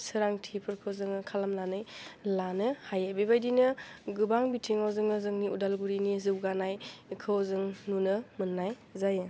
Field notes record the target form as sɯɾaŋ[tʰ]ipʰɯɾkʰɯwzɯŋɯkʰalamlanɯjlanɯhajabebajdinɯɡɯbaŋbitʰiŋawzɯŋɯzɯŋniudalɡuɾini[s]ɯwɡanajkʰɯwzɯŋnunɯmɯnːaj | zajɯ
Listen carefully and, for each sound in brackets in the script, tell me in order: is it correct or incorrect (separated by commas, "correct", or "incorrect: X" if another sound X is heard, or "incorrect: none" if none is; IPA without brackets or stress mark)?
correct, incorrect: z